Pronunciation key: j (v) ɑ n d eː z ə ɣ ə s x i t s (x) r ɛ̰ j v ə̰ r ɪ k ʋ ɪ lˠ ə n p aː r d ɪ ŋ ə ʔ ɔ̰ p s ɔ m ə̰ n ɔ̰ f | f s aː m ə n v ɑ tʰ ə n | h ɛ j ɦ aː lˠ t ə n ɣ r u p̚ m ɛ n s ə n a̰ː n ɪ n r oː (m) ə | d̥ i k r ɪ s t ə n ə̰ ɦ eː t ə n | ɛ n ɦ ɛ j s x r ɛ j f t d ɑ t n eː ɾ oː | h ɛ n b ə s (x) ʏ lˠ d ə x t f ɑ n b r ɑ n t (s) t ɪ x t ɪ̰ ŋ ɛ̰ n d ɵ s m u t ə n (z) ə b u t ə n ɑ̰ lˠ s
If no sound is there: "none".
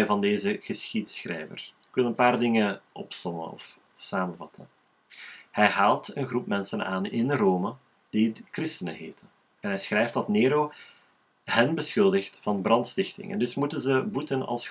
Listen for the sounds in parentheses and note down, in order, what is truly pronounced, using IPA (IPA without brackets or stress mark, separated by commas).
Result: v, x, m, x, s, z